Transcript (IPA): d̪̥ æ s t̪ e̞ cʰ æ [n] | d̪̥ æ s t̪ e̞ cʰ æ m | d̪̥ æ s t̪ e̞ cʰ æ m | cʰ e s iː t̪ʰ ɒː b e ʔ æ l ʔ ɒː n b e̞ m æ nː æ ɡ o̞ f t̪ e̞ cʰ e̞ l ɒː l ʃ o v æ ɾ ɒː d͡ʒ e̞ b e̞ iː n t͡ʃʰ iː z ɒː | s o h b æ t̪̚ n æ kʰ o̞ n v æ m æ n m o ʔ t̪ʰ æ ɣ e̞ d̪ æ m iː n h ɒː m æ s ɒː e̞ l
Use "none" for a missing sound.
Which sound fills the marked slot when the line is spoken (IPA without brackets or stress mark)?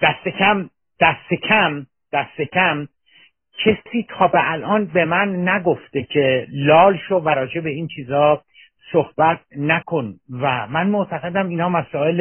m